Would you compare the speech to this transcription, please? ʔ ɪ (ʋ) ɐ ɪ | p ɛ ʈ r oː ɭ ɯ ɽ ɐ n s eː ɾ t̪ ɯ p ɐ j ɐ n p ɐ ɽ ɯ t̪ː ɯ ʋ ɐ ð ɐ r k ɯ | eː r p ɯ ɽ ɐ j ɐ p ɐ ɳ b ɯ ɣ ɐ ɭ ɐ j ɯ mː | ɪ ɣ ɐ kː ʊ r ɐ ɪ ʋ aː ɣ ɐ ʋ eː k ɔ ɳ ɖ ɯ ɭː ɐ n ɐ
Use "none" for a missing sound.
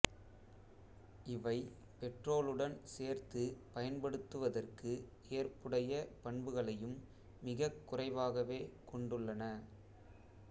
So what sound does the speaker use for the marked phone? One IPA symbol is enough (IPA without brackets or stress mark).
ʋ